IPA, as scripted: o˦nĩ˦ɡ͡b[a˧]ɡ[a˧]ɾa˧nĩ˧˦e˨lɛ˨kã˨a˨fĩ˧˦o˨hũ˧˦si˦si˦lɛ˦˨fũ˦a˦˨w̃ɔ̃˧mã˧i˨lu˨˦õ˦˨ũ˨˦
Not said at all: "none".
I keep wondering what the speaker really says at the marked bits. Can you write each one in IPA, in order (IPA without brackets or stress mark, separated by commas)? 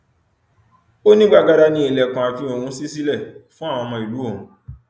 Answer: a˧, a˧